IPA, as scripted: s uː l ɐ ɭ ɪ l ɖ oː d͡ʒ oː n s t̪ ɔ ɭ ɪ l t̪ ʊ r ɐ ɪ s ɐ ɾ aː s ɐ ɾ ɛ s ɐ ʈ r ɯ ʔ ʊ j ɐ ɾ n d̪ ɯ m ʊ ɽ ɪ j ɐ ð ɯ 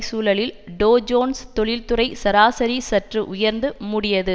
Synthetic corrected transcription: s uː l ɐ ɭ ɪ l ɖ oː d͡ʒ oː n s t̪ ɔ ɭ ɪ l t̪ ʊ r ɐ ɪ s ɐ ɾ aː s ɐ ɾ i s ɐ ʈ r ɯ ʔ ʊ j ɐ ɾ n d̪ ɯ m ʊ ɽ ɪ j ɐ ð ɯ